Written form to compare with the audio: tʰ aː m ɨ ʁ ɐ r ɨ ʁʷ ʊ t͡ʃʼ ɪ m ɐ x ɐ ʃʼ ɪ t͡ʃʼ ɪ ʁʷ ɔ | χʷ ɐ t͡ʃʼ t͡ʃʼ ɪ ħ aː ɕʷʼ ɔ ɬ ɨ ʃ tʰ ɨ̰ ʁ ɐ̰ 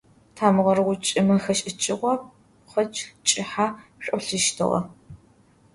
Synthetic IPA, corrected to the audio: tʰ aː m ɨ ʁ ɐ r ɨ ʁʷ ʊ t͡ʃʼ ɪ m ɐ x ɐ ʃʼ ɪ t͡ʃʼ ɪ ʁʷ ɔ | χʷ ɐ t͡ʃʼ t͡ʃʼ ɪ ħ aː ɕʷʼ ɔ ɬ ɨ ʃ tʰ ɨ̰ ʁ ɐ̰